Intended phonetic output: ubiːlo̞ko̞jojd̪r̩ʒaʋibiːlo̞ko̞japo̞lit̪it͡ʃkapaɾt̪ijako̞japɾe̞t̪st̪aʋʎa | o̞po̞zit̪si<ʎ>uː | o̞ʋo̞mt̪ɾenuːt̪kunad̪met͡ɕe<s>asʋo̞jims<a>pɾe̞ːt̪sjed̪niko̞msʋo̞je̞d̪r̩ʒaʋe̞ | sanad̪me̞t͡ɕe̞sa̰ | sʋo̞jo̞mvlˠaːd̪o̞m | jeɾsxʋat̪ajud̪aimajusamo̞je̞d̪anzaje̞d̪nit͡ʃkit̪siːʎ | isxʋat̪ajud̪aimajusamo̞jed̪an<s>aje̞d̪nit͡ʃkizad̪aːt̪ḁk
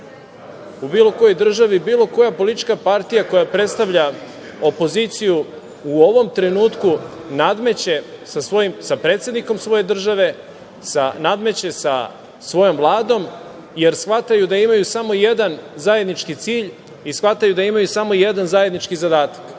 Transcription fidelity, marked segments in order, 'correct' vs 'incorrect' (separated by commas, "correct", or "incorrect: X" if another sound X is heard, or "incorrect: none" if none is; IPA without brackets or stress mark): incorrect: j, correct, correct, incorrect: z